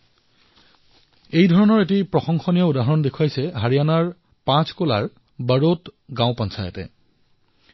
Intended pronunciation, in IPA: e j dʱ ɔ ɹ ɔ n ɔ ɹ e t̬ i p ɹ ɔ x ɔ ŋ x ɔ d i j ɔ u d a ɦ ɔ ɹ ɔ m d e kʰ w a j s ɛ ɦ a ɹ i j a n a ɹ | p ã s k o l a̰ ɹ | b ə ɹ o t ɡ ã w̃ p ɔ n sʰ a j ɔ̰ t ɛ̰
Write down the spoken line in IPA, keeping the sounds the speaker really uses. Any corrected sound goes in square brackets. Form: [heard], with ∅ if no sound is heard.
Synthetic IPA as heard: e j dʱ ɔ ɹ ɔ n ɔ ɹ e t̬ i p ɹ ɔ x ɔ ŋ x ɔ [n] i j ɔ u d a ɦ ɔ ɹ ɔ [n] d e kʰ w a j s ɛ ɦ a ɹ i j a n a ɹ | p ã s k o l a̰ ɹ | b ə ɹ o t ɡ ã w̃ p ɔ n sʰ a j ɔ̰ t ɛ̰